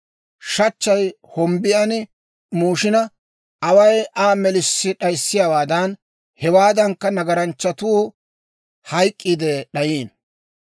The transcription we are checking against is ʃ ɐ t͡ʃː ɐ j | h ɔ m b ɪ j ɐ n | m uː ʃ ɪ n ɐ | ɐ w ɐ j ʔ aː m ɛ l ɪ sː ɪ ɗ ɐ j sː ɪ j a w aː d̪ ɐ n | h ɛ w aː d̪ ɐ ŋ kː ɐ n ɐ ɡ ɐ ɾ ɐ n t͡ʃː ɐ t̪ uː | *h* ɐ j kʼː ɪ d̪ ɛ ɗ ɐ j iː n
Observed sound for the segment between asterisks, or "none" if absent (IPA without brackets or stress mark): h